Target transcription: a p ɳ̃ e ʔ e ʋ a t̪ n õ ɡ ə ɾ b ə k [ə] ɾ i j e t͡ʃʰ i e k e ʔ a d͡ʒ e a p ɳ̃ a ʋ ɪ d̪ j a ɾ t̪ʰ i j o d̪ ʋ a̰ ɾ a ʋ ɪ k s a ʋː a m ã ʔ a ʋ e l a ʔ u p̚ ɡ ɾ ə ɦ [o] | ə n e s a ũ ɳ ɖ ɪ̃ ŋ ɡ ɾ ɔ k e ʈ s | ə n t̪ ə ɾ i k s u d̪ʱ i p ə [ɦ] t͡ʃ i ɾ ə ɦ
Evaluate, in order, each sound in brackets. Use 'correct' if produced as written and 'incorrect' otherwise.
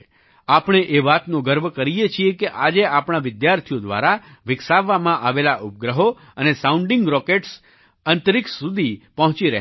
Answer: correct, correct, correct

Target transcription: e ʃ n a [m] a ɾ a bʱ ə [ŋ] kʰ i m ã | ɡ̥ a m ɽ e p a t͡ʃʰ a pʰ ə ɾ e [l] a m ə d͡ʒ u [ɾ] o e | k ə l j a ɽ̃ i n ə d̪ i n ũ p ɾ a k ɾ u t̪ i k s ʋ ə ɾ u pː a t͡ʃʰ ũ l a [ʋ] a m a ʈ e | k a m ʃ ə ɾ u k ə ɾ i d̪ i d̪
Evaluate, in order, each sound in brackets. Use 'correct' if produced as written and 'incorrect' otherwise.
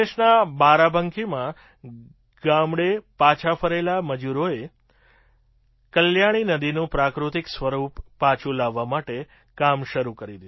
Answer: incorrect: b, correct, correct, correct, incorrect: ʋː

